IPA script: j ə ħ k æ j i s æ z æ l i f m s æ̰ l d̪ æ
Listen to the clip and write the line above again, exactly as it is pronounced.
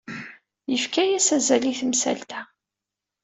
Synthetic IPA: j ə f k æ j æ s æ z æ l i θ m s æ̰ l t̪ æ